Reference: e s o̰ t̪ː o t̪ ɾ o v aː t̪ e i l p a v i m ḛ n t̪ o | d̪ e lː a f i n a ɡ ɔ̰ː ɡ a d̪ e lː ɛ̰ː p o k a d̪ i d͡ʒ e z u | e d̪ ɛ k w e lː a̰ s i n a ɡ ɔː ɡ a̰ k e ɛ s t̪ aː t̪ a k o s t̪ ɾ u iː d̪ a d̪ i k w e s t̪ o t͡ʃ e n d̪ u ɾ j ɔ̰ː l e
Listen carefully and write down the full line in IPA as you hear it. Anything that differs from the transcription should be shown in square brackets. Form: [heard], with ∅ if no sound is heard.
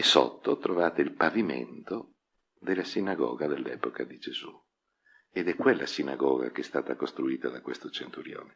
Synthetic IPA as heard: e s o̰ t̪ː o t̪ ɾ o v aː t̪ e i l p a v i m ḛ n t̪ o | d̪ e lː a [s] i n a ɡ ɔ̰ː ɡ a d̪ e lː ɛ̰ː p o k a d̪ i d͡ʒ e z u | e d̪ ɛ k w e lː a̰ s i n a ɡ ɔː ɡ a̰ k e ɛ s t̪ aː t̪ a k o s t̪ ɾ u iː [t̪] a d̪ [a] k w e s t̪ o t͡ʃ e n [t̪] u ɾ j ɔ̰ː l e